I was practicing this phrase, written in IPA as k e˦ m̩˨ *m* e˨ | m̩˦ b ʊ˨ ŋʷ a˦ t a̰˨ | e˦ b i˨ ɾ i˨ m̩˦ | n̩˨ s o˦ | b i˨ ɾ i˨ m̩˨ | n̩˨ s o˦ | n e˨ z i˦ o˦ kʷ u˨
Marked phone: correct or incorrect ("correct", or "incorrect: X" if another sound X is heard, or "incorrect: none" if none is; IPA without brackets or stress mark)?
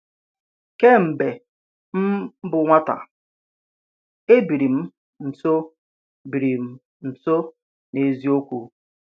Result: incorrect: b